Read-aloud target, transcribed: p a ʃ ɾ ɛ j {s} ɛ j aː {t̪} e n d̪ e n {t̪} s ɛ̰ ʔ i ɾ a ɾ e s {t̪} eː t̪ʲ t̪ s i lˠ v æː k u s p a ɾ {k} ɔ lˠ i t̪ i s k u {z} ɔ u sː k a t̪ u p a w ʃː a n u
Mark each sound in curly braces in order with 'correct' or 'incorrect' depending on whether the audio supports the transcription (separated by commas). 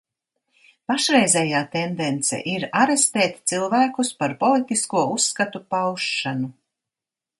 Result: incorrect, correct, correct, correct, incorrect, incorrect